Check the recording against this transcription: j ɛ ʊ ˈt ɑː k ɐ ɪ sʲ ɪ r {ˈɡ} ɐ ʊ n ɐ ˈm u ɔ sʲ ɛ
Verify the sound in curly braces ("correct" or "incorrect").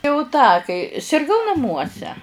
correct